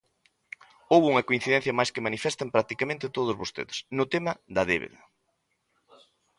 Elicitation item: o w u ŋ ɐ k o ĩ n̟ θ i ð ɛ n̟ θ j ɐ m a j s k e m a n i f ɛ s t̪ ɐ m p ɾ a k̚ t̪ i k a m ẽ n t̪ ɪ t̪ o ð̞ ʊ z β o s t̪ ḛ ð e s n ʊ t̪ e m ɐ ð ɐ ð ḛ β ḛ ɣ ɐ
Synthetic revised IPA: o w u ŋ ɐ k o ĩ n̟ θ i ð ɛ n̟ θ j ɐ m a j s k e m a n i f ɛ s t̪ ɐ m p ɾ a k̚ t̪ i k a m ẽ n t̪ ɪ t̪ o ð̞ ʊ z β o s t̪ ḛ ð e s n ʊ t̪ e m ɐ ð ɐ ð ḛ β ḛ ð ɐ